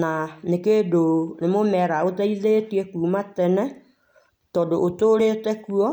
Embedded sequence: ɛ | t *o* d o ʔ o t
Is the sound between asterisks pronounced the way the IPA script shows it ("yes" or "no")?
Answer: no